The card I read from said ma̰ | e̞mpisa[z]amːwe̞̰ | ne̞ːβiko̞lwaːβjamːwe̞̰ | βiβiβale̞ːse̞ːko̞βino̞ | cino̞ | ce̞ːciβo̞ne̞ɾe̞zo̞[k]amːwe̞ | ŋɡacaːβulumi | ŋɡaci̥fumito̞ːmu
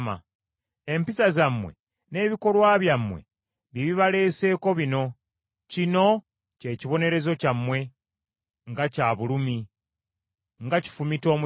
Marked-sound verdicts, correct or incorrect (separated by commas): correct, incorrect